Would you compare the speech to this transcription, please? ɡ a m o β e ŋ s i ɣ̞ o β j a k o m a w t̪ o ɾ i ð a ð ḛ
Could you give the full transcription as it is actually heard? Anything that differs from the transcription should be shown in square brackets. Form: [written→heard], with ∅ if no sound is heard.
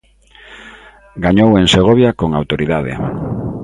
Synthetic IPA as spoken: ɡ a [m→ɲ] o [β→w] e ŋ s [i→e] ɣ̞ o β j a k o [m→ŋ] a w t̪ o ɾ i ð a ð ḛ